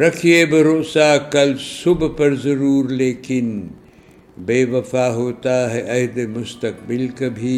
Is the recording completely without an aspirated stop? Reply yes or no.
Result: no